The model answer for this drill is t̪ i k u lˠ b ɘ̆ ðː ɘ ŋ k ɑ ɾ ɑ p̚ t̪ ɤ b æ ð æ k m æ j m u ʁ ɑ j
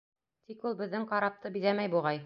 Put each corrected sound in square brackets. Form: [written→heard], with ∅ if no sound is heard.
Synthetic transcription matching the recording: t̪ i k u lˠ b ɘ̆ ðː ɘ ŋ [k→q] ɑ ɾ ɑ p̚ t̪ ɤ b [æ→i] ð æ [k→∅] m æ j [m→b] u ʁ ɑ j